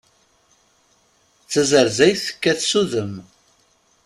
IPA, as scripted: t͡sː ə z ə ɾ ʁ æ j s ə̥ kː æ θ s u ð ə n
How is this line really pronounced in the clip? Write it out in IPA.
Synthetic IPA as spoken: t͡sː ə z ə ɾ z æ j θ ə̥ kː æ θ s u ð ə m